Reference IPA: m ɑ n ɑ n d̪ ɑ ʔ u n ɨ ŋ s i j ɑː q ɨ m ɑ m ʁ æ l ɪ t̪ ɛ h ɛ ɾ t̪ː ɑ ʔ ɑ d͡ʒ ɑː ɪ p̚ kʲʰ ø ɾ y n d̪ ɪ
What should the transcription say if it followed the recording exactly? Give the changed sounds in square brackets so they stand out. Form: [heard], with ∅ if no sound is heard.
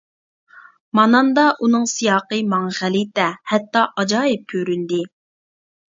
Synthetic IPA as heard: m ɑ n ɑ n d̪ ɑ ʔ u n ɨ ŋ s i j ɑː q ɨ m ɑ [ŋ] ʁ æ l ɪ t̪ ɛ h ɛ [∅] t̪ː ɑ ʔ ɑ d͡ʒ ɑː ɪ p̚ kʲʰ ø ɾ y n d̪ ɪ